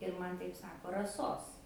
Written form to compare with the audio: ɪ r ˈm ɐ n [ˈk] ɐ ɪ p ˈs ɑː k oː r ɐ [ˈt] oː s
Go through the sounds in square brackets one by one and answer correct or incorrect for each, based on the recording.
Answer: incorrect, incorrect

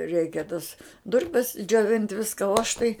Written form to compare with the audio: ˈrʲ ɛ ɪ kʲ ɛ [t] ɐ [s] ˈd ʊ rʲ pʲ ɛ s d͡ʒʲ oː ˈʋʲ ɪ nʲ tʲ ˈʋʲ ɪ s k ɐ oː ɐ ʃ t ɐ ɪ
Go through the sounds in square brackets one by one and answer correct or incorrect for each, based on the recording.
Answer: correct, correct

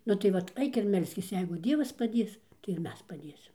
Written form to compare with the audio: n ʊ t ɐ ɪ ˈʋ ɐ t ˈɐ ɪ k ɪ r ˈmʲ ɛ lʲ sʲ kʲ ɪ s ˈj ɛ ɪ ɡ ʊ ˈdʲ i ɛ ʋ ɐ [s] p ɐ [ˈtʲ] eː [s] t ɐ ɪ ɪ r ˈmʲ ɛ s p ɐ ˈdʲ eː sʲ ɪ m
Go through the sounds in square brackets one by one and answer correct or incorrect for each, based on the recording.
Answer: correct, incorrect, correct

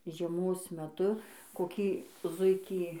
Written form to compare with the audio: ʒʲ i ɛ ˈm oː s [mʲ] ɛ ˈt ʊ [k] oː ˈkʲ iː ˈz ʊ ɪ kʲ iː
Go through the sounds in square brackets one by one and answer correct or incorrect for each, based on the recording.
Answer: correct, correct

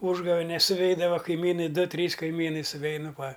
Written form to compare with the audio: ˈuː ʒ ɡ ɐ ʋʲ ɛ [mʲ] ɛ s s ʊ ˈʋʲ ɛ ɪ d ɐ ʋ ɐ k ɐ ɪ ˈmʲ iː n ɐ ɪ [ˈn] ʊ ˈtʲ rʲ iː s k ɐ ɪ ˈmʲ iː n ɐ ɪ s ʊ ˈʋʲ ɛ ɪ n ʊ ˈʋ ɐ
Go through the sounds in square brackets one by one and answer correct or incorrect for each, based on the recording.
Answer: incorrect, incorrect

